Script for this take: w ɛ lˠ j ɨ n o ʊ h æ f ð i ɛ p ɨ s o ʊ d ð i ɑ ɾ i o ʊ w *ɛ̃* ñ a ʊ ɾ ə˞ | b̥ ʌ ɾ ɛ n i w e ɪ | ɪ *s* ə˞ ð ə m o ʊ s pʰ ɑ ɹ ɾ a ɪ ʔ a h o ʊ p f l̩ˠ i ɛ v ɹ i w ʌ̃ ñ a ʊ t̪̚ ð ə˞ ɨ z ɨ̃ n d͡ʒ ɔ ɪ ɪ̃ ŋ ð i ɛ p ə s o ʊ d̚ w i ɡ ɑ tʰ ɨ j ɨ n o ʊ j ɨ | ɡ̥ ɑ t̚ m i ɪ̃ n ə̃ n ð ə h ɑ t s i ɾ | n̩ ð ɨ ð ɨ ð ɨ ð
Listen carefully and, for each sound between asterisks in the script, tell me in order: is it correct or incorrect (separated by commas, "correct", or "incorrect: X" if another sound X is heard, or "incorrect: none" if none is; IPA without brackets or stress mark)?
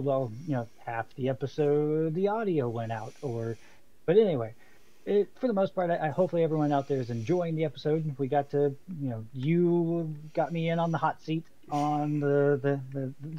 correct, incorrect: f